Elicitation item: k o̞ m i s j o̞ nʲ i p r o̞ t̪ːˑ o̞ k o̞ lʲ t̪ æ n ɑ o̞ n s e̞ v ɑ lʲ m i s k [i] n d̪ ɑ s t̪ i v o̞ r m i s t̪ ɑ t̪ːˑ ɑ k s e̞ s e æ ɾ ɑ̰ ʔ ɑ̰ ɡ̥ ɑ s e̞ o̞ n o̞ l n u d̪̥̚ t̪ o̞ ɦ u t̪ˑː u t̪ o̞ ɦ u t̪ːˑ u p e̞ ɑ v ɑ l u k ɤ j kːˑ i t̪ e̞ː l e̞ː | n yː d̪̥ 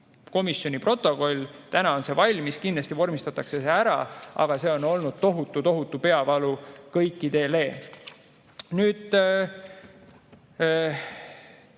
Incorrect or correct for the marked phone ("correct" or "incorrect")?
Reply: correct